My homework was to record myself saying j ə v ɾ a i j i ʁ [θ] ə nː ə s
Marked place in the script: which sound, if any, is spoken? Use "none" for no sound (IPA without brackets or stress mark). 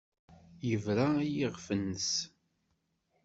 f